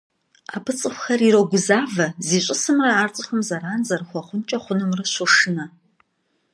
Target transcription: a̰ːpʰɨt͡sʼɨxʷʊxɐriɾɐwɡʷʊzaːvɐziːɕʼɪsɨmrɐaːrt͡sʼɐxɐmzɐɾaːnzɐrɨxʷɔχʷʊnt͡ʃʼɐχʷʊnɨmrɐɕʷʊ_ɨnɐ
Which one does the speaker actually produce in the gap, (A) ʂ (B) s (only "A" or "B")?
A